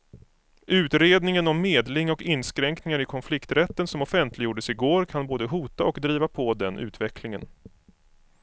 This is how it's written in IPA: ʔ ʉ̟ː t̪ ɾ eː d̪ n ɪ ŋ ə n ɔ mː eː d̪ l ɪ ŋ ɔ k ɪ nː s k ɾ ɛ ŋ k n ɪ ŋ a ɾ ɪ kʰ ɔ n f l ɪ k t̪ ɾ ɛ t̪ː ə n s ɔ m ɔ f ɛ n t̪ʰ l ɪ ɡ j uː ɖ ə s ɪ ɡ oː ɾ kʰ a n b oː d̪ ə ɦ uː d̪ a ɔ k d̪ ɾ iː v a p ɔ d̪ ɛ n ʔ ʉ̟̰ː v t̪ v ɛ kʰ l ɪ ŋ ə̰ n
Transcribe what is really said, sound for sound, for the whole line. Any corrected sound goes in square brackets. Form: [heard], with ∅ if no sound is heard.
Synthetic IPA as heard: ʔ ʉ̟ː t̪ ɾ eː d̪ n ɪ ŋ ə n ɔ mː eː d̪ l ɪ ŋ ɔ k ɪ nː s k ɾ ɛ ŋ k n ɪ ŋ a ɾ ɪ kʰ ɔ n f l ɪ k t̪ ɾ ɛ t̪ː ə n s ɔ m ɔ f ɛ n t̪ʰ l ɪ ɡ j uː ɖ ə s ɪ ɡ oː ɾ kʰ a n b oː d̪ ə ɦ uː [t̪] a ɔ k d̪ ɾ iː v a [pʰ] ɔ d̪ ɛ n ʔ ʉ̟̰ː [∅] t̪ v ɛ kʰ l ɪ ŋ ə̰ n